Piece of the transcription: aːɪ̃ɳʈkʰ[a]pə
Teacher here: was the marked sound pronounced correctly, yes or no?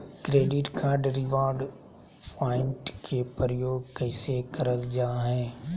no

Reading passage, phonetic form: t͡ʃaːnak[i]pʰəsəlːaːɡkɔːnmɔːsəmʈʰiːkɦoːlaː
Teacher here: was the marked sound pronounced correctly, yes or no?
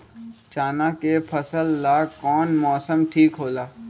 no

